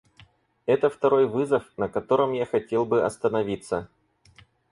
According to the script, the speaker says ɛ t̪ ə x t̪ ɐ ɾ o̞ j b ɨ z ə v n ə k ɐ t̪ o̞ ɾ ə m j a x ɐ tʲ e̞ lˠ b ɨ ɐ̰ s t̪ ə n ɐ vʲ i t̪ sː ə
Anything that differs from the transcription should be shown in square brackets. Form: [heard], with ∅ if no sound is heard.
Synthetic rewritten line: ɛ t̪ ə [f] t̪ ɐ ɾ o̞ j [v] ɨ z ə [f] n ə k ɐ t̪ o̞ ɾ ə m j a x ɐ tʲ e̞ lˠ b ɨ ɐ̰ s t̪ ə n ɐ vʲ i t̪ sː ə